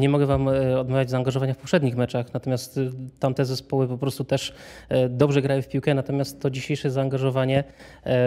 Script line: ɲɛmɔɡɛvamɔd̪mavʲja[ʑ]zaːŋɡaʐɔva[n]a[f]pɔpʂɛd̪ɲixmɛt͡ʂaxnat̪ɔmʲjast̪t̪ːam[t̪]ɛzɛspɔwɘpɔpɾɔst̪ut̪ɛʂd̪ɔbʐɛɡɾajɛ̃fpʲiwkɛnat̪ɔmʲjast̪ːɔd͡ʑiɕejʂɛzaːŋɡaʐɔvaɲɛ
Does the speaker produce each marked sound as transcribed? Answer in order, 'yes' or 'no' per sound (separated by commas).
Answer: no, no, yes, yes